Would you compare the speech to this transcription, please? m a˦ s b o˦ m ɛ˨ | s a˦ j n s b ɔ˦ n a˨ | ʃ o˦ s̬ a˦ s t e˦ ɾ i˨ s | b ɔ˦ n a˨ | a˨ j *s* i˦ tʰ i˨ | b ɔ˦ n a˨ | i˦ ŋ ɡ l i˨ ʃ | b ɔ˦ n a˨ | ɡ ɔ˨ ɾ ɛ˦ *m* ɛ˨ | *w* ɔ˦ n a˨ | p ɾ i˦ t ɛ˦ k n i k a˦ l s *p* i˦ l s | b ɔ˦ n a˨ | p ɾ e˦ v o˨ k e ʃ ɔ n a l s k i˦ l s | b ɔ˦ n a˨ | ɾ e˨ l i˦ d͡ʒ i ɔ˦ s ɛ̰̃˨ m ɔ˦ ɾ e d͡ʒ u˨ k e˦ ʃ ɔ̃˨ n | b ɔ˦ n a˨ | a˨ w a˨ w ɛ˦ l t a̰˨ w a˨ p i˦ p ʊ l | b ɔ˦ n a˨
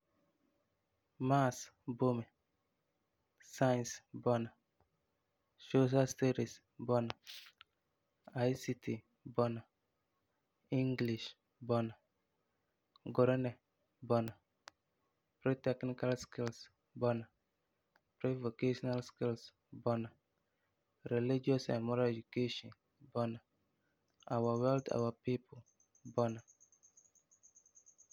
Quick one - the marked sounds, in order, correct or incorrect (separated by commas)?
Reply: correct, incorrect, incorrect, incorrect